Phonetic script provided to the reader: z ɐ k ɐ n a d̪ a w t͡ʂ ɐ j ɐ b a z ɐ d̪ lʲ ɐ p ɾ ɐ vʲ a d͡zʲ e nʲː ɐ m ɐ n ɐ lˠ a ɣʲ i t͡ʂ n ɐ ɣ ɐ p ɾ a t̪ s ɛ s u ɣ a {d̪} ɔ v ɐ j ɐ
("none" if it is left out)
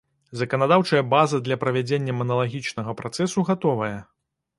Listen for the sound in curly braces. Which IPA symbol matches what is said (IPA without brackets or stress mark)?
t̪